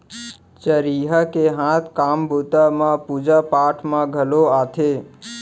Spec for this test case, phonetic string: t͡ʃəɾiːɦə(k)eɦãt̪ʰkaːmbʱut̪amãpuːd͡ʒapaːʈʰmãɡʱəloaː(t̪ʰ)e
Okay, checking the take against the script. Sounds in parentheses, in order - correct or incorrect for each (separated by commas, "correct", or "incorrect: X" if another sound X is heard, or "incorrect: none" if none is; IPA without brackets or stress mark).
correct, correct